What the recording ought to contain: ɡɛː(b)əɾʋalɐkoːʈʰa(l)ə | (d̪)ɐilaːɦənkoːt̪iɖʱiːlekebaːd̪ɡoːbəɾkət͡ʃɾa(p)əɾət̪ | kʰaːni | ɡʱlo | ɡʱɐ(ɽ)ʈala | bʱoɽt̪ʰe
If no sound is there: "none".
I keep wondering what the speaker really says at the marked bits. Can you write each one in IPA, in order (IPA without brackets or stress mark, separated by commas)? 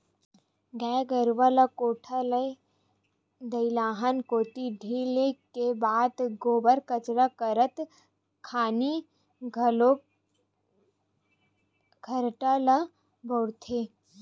ɡ, l, d̪, k, ɾ